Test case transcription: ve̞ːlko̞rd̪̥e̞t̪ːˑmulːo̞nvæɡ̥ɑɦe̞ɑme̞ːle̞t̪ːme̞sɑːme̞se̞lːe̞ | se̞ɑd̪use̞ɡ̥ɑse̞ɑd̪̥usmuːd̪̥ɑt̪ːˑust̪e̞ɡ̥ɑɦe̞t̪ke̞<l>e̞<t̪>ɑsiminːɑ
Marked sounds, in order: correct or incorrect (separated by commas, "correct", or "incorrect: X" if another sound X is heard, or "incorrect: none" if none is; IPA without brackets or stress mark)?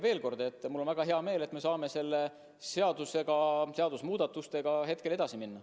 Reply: correct, incorrect: d̪